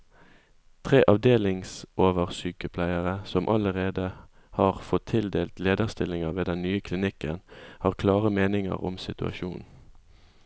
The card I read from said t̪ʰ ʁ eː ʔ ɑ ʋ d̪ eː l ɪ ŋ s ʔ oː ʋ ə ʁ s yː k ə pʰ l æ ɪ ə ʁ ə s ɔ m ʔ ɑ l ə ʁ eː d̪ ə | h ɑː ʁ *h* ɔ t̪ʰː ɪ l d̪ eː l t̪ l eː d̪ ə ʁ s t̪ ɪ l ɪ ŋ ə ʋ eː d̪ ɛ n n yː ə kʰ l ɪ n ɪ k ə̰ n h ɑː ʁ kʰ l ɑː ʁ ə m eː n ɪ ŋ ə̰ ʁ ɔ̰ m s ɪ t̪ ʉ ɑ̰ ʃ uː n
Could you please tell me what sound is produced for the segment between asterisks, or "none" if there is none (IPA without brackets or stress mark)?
f